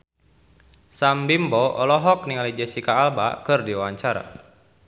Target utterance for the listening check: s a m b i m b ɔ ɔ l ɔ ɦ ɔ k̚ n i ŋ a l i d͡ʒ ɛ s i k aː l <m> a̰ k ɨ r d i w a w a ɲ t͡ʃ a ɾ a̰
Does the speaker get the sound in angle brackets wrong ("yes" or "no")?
yes